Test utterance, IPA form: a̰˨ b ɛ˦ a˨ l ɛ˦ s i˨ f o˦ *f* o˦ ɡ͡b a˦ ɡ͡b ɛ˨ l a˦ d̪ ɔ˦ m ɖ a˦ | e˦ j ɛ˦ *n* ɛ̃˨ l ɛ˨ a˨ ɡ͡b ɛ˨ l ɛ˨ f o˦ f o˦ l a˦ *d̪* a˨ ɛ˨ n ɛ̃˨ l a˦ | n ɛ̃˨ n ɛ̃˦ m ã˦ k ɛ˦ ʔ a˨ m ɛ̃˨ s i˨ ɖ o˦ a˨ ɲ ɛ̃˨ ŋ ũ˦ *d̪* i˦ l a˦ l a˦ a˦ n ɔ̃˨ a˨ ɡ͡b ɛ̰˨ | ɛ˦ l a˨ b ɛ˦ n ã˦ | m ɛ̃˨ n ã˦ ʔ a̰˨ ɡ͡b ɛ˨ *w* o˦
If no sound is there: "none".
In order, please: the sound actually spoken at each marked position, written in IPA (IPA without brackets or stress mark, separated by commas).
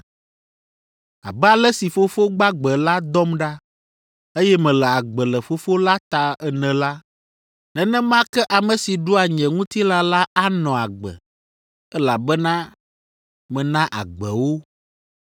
f, m, t̪, t̪, w